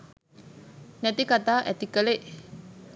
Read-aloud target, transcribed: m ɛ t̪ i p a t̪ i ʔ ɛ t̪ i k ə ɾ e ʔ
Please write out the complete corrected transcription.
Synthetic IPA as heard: n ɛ t̪ i k a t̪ a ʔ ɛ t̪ i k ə l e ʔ